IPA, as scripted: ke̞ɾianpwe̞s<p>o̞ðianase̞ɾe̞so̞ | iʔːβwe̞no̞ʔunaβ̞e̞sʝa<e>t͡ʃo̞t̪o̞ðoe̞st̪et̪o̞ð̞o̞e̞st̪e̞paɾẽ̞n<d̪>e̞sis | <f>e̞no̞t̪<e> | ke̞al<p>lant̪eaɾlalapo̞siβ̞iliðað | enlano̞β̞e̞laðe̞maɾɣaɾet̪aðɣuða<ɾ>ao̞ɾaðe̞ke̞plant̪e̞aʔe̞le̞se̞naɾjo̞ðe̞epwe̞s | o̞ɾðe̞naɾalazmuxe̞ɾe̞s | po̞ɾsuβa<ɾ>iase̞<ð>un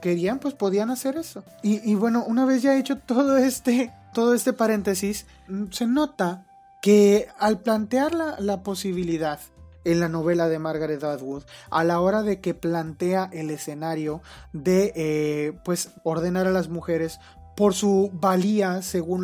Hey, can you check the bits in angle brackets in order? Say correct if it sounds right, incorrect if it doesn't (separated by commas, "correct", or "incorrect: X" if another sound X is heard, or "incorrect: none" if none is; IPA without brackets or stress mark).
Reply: correct, correct, incorrect: t̪, incorrect: s, incorrect: a, correct, incorrect: l, incorrect: l, incorrect: ɣ